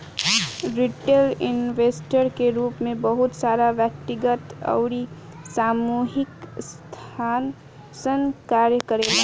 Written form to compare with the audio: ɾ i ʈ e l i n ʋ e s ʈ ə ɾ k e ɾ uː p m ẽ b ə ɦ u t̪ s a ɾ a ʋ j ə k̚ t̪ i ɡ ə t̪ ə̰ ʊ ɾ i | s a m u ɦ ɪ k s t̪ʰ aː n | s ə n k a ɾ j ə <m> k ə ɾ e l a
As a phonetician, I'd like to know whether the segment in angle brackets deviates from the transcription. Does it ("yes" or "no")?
yes